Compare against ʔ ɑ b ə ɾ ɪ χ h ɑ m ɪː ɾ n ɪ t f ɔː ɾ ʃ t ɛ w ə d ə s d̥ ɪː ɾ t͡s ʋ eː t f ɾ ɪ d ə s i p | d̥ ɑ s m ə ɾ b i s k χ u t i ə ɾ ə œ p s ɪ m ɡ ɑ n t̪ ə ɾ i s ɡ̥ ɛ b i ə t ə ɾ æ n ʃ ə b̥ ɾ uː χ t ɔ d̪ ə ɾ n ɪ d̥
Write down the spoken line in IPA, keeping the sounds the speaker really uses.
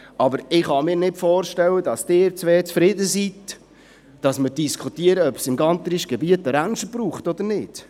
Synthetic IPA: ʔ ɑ b ə ɾ ɪ χ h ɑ m ɪː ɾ n ɪ t f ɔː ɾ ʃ t ɛ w ə d ɑ s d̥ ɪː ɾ t͡s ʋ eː t͡s f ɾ ɪ d ə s i t | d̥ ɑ s m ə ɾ d i s k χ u t i ə ɾ ə œ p s ɪ m ɡ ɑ n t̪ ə ɾ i ʃ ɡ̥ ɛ b i ə t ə ɾ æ n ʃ ə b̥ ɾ uː χ t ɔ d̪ ə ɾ n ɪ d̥